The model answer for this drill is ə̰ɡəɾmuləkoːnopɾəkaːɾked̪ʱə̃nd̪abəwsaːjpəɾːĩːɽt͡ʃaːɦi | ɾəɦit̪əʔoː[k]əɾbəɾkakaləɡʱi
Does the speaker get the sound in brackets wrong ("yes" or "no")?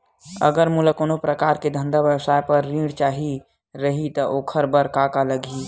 yes